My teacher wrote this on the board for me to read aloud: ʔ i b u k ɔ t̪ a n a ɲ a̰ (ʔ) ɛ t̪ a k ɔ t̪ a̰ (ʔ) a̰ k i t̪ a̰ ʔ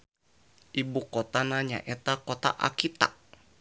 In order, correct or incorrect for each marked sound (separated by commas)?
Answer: correct, correct